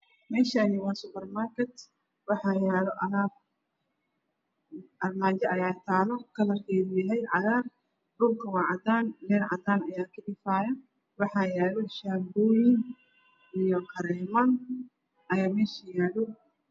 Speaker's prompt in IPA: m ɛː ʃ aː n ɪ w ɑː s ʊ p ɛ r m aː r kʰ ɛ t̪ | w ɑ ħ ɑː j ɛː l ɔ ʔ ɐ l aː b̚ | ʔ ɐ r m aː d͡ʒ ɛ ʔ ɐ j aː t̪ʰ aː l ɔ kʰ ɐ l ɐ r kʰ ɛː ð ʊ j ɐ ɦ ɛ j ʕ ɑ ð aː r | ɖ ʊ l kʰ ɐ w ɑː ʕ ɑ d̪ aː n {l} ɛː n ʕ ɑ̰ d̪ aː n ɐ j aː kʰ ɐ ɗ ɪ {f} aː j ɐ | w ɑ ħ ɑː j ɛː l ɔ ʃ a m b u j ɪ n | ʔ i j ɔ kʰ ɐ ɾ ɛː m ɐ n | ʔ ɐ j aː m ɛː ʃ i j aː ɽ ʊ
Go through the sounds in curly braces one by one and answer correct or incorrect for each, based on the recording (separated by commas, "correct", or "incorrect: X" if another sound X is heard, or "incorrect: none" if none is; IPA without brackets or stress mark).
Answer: correct, correct